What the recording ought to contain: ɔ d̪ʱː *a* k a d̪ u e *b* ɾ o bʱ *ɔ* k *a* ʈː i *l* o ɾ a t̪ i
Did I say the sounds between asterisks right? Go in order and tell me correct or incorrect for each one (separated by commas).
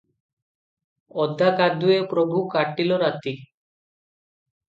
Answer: correct, incorrect, incorrect, correct, correct